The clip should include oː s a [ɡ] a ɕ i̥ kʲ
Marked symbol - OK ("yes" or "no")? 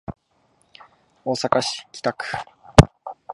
no